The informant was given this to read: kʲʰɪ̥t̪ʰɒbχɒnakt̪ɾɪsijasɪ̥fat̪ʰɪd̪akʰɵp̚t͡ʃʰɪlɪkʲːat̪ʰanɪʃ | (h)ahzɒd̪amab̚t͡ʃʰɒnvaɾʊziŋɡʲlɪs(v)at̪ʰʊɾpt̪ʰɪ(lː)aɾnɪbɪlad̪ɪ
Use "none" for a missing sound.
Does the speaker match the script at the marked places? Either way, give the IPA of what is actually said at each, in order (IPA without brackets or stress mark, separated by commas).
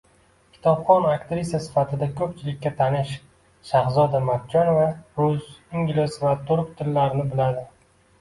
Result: ʃ, v, lː